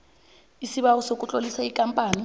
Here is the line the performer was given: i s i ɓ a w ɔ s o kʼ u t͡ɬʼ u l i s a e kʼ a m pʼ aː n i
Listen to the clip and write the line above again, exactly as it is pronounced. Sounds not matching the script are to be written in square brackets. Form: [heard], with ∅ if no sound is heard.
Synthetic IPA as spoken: i s i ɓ a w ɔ s o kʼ u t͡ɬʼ [o] l i s a [i] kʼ a m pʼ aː n i